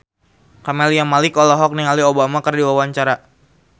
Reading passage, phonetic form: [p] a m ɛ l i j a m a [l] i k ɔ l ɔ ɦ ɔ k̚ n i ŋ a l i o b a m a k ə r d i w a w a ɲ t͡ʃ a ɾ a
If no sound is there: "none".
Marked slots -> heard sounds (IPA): k, l

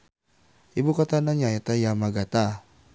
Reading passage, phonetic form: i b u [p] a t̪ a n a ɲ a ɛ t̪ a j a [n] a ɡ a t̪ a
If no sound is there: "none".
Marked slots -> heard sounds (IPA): k, m

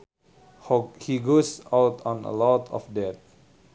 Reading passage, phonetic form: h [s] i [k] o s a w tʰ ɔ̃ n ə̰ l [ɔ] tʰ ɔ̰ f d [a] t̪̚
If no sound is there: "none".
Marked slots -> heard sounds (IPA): h, ɡ, ɔ, ɛ

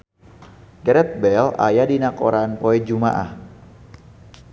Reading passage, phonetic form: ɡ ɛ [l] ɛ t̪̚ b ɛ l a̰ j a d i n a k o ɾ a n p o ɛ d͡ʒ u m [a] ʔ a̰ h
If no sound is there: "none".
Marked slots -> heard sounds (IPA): ɾ, a

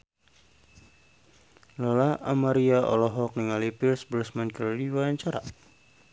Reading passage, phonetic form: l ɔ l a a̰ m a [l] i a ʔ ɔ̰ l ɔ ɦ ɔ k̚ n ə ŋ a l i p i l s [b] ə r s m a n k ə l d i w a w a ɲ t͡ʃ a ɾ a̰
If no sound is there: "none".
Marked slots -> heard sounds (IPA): ɾ, b

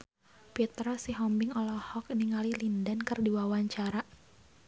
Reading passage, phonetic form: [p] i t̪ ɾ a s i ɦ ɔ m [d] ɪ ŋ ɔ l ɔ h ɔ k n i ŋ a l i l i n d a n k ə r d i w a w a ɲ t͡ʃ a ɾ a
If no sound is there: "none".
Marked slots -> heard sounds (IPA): p, b

